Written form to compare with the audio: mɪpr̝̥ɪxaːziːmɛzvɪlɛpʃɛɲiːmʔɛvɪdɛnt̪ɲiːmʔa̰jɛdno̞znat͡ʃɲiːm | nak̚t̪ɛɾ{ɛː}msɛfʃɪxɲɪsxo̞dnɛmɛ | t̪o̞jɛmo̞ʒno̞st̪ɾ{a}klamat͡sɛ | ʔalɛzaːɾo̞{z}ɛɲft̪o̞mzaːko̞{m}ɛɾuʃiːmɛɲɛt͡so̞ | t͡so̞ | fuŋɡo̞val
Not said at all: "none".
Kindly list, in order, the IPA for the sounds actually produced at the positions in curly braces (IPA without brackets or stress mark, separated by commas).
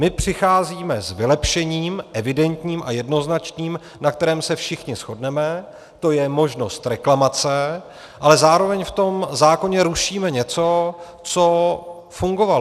ɛː, ɛ, v, ɲ